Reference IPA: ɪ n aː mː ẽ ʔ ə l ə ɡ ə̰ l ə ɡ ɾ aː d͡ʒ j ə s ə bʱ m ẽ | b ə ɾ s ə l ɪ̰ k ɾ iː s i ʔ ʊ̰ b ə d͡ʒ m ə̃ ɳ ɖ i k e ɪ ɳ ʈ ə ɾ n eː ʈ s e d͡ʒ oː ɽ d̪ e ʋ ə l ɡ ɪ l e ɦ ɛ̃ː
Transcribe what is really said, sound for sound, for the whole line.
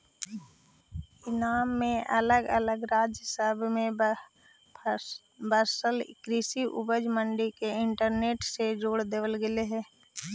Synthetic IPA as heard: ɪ n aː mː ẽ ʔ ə l ə ɡ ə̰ l ə ɡ ɾ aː d͡ʒ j ə s ə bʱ m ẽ | b ə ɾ s ə l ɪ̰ k ɾ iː s i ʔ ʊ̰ b ə d͡ʒ m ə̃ ɳ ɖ i k e ɪ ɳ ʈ ə ɾ n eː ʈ s e d͡ʒ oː ɽ d̪ e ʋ ə l ɡ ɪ l e ɦ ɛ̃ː